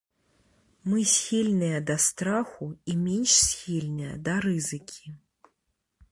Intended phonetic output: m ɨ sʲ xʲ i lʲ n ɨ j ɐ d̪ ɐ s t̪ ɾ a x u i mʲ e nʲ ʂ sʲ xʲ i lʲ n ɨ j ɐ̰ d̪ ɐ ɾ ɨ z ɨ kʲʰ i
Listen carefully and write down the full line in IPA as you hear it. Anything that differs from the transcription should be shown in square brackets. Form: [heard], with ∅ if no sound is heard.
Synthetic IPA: m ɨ sʲ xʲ i lʲ n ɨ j ɐ d̪ ɐ s t̪ ɾ a x u i mʲ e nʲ ʂ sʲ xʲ i lʲ n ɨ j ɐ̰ d̪ ɐ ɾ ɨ z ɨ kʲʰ i